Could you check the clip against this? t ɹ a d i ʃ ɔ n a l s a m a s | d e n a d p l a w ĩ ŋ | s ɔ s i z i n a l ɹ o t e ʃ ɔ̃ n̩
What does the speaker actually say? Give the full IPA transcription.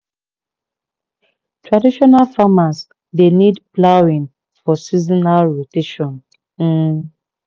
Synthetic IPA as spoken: t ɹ a d i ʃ ɔ n a l f a m a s | d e n i d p l a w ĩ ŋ | f ɔ s i z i n a l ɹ o t e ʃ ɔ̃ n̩

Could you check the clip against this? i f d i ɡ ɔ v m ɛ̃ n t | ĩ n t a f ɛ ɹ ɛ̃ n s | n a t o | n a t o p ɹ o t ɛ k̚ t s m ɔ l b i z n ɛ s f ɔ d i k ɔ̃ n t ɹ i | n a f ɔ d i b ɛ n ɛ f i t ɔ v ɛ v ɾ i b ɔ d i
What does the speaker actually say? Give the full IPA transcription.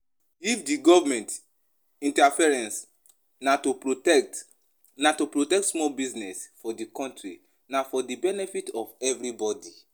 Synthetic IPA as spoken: i f d i ɡ ɔ v m ɛ̃ n t | ĩ n t a f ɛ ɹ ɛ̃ n s | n a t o | n a t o p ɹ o t ɛ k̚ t s m ɔ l b i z n ɛ s f ɔ d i k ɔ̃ n t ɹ i | n a f ɔ d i b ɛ n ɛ f i t ɔ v ɛ v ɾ i b ɔ d i

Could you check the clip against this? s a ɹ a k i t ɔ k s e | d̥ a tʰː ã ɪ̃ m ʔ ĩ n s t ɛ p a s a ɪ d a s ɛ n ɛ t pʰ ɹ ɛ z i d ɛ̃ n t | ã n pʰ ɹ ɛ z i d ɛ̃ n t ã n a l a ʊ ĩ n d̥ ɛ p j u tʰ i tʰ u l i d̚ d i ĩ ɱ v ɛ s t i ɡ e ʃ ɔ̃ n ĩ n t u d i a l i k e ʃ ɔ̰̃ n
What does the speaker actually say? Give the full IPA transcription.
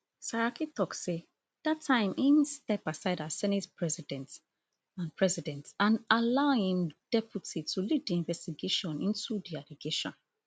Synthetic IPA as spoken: s a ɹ a k i t ɔ k s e | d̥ a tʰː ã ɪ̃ m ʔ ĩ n s t ɛ p a s a ɪ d a s ɛ n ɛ t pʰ ɹ ɛ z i d ɛ̃ n t | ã n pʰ ɹ ɛ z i d ɛ̃ n t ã n a l a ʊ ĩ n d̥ ɛ p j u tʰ i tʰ u l i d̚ d i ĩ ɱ v ɛ s t i ɡ e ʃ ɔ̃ n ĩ n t u d i a l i ɡ e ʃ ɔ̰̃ n

